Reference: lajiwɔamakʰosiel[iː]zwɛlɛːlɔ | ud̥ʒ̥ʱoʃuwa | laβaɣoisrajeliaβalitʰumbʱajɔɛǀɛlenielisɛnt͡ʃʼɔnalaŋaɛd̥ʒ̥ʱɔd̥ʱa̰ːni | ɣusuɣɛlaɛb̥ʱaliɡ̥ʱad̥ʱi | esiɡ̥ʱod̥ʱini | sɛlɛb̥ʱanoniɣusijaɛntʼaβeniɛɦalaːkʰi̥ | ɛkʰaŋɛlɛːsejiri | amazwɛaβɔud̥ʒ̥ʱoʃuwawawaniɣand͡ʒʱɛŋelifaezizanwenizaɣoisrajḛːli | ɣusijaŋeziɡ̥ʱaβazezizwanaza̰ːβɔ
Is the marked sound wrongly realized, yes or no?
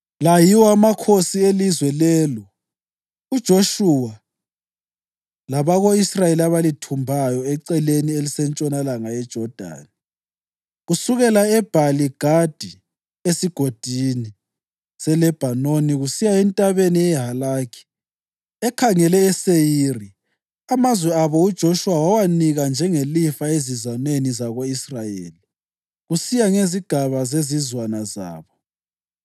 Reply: yes